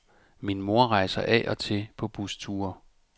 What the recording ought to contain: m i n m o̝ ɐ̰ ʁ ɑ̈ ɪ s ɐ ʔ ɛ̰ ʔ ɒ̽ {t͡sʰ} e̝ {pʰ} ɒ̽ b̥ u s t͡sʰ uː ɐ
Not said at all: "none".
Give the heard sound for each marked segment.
t͡sʰ, pʰ

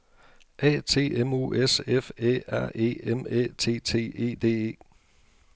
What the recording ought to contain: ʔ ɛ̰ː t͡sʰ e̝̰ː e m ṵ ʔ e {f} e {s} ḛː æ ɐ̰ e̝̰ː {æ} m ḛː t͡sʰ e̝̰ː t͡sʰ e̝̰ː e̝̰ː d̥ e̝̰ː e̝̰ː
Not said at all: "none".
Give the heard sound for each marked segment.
s, f, e

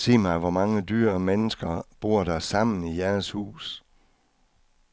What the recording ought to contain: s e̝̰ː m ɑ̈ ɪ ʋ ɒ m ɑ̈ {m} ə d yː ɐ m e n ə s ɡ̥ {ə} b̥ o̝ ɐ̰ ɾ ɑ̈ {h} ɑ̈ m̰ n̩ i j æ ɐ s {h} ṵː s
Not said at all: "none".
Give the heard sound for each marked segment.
ŋ, ɐ, s, h

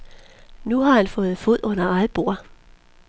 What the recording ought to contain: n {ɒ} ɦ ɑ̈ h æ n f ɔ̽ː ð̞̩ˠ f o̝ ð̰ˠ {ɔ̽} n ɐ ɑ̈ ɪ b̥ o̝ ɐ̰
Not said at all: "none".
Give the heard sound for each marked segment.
u, ɔ̽

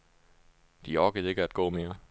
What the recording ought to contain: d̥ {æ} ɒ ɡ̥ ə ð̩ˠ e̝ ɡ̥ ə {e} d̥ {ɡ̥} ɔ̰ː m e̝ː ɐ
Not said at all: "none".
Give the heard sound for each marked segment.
i, æ, ɡ̥

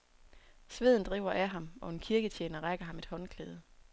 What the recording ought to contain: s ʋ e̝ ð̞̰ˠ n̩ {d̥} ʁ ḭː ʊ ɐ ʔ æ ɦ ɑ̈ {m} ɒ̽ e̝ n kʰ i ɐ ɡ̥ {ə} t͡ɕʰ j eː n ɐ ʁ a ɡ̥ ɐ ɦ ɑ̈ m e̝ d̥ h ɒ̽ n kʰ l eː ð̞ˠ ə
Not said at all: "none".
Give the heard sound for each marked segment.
d̥, m, ə

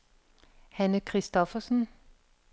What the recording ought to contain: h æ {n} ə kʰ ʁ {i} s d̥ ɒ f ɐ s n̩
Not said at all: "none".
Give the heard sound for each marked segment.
n, i

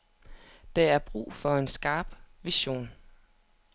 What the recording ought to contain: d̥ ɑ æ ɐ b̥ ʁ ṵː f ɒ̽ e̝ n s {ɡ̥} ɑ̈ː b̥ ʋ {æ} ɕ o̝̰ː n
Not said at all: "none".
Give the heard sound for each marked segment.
ɡ̥, i

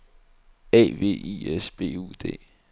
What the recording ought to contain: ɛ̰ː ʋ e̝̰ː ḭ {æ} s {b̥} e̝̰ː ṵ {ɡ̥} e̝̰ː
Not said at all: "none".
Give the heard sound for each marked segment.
e, b̥, d̥

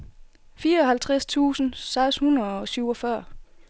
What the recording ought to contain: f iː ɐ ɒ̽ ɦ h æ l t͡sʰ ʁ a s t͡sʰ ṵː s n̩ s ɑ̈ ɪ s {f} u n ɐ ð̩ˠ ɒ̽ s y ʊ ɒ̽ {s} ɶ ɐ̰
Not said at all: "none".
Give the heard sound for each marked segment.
h, f

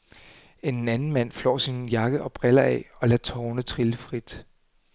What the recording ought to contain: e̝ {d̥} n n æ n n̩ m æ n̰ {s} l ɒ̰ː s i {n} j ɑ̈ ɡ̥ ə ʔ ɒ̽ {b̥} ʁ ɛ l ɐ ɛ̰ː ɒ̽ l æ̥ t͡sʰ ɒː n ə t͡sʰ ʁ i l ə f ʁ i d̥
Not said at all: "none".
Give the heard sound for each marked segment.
none, f, n, b̥

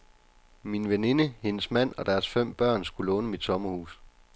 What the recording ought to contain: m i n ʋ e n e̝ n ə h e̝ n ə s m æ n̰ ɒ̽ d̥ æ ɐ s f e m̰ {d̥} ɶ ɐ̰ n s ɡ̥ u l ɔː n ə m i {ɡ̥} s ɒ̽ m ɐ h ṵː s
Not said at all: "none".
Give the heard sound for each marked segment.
b̥, d̥

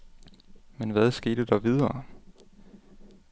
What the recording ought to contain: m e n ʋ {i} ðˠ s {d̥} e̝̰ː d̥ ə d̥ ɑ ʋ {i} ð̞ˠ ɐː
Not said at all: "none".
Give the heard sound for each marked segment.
æ, ɡ̥, i

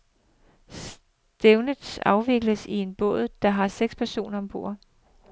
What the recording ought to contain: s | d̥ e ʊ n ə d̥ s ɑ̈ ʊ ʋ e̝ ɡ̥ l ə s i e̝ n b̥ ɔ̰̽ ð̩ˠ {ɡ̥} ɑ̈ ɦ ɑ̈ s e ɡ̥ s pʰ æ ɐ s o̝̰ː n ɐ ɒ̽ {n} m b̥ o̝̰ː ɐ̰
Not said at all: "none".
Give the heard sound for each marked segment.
d̥, none

